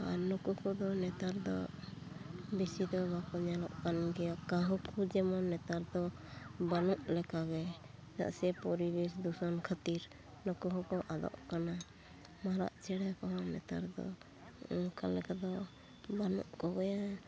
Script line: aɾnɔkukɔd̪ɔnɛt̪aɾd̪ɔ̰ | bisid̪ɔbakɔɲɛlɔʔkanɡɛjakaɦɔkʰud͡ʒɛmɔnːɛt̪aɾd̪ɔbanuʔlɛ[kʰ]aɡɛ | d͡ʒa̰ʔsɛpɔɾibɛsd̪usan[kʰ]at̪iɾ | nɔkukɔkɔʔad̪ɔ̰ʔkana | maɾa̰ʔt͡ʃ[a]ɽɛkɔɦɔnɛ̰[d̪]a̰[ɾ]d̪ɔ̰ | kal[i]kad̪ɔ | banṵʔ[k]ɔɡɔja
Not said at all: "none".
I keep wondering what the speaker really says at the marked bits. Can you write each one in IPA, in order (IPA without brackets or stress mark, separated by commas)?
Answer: k, kʰ, ɛ, t̪, ɾ, ɛ, k